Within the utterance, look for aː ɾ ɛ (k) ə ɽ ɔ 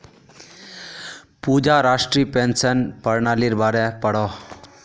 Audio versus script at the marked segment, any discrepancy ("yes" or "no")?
yes